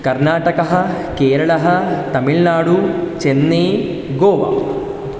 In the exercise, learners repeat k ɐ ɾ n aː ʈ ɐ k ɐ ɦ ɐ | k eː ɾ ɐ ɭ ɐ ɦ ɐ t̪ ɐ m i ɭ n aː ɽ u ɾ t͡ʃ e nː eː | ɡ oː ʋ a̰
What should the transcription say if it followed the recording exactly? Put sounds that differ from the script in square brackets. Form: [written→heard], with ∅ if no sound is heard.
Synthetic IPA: k ɐ ɾ n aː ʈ ɐ k ɐ ɦ ɐ | k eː ɾ ɐ ɭ ɐ ɦ ɐ t̪ ɐ m i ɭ n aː ɽ u [ɾ→∅] t͡ʃ e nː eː | ɡ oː ʋ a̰